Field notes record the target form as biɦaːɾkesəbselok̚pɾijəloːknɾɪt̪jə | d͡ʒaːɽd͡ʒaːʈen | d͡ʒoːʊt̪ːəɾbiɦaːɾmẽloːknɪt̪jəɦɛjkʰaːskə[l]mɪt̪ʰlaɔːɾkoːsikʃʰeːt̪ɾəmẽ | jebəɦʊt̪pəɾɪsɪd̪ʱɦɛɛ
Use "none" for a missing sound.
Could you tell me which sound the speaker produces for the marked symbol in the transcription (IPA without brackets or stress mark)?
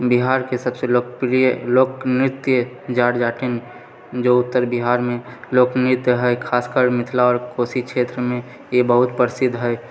ɾ